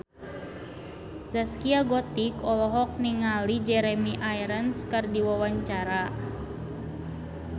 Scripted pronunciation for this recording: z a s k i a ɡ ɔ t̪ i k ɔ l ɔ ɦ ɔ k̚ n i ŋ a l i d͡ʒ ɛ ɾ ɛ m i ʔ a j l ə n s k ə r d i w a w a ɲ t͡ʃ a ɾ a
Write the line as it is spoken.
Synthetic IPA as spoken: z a s k i a ɡ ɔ t̪ i k ɔ l ɔ ɦ ɔ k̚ n i ŋ a l i d͡ʒ ɛ ɾ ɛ m i ʔ a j ɾ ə n s k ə r d i w a w a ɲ t͡ʃ a ɾ a